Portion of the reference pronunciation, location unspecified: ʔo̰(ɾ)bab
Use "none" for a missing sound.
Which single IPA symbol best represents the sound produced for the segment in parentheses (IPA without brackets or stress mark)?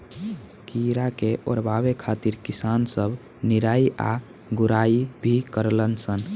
ɾ